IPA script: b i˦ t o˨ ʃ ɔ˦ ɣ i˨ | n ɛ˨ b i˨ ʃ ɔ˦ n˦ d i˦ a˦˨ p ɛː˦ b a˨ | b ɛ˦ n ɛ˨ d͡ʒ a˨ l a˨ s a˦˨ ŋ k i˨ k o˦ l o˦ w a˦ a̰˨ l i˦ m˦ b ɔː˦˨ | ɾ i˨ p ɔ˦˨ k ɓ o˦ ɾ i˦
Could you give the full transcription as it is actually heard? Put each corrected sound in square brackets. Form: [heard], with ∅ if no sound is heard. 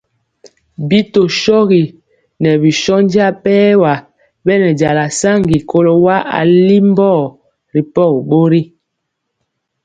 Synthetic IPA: b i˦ t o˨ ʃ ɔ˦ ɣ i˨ | n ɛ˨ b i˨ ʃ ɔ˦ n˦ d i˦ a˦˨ p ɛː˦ [w] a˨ | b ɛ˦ n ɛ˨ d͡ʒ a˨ l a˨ s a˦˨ ŋ [ɡ] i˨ k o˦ l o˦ w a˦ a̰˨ l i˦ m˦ b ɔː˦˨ | ɾ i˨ p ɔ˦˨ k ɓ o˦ ɾ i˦